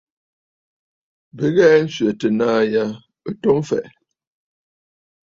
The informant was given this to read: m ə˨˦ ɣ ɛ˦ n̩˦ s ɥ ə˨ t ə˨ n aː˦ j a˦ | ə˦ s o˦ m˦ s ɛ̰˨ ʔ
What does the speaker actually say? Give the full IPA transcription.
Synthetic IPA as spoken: b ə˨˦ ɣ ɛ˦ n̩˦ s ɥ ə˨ t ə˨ n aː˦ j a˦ | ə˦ t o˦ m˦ f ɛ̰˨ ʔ